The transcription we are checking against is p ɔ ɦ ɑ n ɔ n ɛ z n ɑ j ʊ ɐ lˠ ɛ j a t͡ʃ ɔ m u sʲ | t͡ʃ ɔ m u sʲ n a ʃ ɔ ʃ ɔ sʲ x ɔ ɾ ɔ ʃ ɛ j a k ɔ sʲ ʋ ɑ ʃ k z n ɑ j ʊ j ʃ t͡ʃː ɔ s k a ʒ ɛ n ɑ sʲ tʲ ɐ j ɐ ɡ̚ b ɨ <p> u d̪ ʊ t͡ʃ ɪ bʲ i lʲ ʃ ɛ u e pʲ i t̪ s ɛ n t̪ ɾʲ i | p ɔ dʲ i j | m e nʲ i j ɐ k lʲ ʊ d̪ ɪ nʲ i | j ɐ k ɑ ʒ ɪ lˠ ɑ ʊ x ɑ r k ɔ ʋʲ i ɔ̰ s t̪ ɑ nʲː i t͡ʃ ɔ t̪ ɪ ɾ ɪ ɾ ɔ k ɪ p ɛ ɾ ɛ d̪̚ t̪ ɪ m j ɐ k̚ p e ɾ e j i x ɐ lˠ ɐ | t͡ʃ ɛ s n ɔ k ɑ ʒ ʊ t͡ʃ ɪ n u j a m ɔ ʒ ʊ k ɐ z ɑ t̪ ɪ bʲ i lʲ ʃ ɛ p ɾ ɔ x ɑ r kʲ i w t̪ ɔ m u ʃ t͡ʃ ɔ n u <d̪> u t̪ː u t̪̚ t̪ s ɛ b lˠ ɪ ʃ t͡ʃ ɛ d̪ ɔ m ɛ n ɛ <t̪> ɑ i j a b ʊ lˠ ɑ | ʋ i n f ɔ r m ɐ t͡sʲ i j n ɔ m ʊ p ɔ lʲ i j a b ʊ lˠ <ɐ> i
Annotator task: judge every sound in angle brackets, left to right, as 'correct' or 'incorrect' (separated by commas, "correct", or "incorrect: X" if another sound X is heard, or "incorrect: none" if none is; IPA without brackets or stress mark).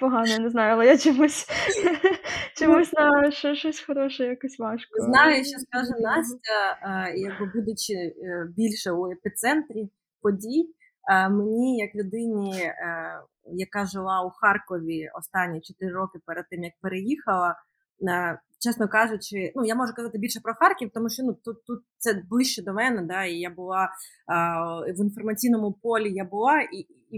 incorrect: b, incorrect: t̪, incorrect: d̪, incorrect: ɑ